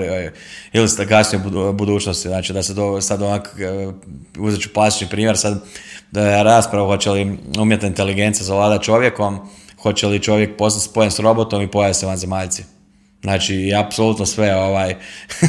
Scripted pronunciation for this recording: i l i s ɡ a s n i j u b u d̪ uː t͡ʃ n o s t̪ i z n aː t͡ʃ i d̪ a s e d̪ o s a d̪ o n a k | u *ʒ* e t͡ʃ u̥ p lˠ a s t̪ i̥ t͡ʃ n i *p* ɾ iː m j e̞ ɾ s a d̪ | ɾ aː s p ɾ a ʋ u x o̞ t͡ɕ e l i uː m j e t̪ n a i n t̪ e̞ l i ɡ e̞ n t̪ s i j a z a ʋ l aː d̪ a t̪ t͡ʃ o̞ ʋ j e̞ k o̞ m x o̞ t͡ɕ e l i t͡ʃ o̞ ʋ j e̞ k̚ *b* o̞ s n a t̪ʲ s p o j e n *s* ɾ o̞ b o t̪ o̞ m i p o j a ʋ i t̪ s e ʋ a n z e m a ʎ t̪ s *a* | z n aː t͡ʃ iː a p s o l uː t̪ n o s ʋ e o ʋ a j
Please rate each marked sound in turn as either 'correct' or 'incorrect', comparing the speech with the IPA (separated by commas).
incorrect, correct, incorrect, correct, incorrect